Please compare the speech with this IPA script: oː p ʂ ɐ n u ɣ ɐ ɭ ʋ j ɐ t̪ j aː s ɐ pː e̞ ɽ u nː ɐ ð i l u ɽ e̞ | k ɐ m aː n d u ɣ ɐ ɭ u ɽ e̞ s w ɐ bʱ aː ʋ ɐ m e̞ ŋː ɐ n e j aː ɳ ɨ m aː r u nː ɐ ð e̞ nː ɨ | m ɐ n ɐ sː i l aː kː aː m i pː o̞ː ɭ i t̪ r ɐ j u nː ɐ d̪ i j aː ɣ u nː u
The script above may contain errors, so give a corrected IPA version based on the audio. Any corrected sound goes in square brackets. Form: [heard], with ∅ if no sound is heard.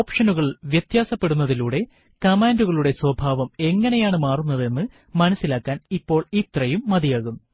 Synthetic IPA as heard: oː p ʂ ɐ n u ɣ ɐ ɭ ʋ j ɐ t̪ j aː s ɐ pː e̞ ɽ u nː ɐ ð i l [uː] ɽ e̞ | k ɐ m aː n d u ɣ ɐ ɭ u ɽ e̞ s w ɐ bʱ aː ʋ ɐ m e̞ ŋː ɐ n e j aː ɳ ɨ m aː r u nː ɐ ð e̞ nː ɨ | m ɐ n ɐ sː i l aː kː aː [n] i pː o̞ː ɭ i t̪ r ɐ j u [mː] ɐ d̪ i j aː ɣ u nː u